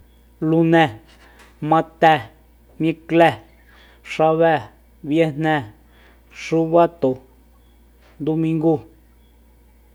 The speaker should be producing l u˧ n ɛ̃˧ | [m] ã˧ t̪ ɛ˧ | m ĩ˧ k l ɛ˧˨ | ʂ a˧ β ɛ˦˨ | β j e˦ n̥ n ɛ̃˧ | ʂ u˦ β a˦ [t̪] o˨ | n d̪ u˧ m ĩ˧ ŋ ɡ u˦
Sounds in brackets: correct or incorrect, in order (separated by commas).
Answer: correct, correct